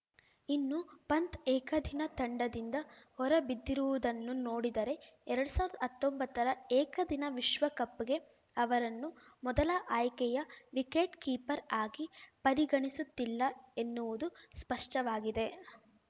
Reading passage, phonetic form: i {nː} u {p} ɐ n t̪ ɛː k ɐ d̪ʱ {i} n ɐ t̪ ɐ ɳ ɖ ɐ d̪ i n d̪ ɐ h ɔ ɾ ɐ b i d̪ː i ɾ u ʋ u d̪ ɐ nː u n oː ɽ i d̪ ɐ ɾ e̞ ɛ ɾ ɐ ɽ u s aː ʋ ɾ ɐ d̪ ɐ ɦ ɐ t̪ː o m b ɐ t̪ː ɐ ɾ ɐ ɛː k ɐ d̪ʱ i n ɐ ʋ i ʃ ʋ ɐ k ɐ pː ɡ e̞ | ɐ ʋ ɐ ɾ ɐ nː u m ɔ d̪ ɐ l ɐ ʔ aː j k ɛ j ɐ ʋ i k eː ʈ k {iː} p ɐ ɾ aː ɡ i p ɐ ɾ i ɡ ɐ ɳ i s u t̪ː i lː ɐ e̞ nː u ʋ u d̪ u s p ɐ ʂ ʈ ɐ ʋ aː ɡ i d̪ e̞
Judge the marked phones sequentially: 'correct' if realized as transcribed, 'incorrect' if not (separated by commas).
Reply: correct, correct, correct, correct